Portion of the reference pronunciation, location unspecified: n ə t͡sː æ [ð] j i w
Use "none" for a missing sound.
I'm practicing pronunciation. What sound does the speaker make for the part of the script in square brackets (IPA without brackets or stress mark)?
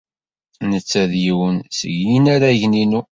ð